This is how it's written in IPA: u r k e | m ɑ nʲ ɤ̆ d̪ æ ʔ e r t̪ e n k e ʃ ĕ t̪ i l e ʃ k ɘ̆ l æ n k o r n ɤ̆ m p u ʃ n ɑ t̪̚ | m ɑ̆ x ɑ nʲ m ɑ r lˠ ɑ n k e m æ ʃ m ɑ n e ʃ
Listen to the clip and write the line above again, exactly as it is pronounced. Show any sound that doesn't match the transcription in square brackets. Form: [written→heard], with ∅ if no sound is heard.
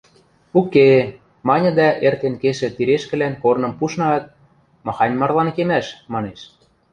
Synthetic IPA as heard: u [r→∅] k e | m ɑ nʲ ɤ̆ d̪ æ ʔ e r t̪ e n k e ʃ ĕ t̪ i [l→ɾ] e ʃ k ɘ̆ l æ n k o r n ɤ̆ m p u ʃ n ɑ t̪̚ | m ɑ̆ x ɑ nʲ m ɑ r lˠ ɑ n k e m æ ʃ m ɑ n e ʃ